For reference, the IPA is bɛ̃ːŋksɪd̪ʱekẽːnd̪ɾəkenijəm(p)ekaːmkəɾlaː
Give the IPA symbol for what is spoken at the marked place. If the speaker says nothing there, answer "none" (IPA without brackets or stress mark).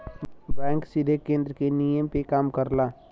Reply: p